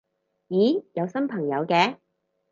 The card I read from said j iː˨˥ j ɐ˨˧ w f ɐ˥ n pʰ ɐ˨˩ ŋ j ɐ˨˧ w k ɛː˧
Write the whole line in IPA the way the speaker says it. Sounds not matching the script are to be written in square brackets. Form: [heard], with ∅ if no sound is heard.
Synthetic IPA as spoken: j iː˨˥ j ɐ˨˧ w [s] ɐ˥ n pʰ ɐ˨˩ ŋ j ɐ˨˧ w k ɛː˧